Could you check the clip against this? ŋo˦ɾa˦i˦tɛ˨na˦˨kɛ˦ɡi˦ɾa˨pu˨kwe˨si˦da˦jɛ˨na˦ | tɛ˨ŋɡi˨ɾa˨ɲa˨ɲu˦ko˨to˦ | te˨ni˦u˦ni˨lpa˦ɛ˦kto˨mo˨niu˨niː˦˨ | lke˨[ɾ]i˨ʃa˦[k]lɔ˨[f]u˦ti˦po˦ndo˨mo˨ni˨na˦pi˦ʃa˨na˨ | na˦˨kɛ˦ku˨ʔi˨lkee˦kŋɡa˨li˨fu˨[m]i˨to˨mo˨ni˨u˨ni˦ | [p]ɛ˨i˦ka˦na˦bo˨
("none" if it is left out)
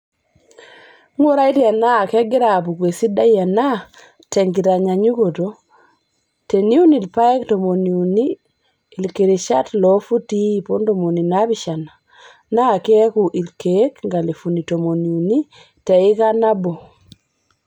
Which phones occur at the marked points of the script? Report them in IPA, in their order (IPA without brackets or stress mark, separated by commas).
ɾ, t, f, n, t